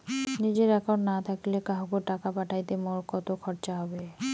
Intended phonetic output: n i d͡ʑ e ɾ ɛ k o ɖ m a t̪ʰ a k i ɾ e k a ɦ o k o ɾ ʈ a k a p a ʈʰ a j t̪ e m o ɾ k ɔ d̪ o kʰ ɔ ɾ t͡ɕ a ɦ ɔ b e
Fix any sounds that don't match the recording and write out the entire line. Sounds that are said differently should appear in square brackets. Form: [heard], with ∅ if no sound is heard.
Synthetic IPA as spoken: n i d͡ʑ e ɾ ɛ k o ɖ [n] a t̪ʰ a k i [l] e k a ɦ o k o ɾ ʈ a k a p a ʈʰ a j t̪ e m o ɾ k ɔ [t̪] o kʰ ɔ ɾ t͡ɕ a ɦ ɔ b e